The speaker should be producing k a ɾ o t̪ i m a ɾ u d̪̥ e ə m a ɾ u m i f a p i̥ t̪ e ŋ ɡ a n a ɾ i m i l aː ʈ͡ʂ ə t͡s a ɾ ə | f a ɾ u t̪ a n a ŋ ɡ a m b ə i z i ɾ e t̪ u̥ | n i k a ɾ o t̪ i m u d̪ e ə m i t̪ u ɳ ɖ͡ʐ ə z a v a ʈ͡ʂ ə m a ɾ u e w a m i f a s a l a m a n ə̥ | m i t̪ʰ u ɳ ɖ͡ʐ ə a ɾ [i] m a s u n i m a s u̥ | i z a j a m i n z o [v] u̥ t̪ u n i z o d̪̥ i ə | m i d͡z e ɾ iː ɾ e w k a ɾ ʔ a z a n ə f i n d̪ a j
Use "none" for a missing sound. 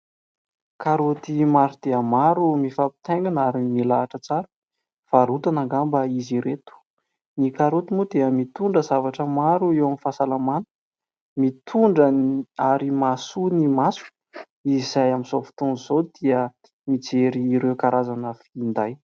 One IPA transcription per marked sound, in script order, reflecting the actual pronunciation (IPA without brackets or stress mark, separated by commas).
i, f